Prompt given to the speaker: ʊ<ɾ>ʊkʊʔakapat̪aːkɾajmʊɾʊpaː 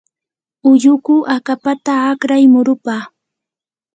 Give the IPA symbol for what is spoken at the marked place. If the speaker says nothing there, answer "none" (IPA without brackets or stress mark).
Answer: ʎ